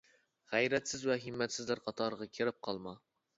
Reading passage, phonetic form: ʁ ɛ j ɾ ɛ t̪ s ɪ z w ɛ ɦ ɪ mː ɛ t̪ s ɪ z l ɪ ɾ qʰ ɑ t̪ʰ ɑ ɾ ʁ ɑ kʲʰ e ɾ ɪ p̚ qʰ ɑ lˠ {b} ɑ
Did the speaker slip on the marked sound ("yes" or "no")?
yes